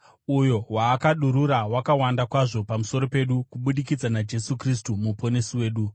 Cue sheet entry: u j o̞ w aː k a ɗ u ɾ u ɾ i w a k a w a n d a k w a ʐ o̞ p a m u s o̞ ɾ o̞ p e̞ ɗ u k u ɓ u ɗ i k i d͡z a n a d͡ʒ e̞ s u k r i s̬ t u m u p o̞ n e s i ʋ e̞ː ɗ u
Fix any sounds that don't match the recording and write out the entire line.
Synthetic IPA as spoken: u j o̞ w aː k a ɗ u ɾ u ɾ a w a k a w a n d a k w a ʐ o̞ p a m u s o̞ ɾ o̞ p e̞ ɗ u k u ɓ u ɗ i k i d͡z a n a d͡ʒ e̞ s u k r i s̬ t u m u p o̞ n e s i w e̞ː ɗ u